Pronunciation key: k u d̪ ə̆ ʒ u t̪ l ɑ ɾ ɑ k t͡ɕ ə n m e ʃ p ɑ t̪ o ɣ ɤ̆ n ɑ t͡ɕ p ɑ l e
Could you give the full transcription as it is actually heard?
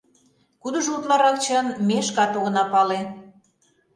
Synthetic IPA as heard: k u d̪ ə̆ ʒ u t̪ l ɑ ɾ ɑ k t͡ɕ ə n m e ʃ k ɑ t̪ o ɣ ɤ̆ n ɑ p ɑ l e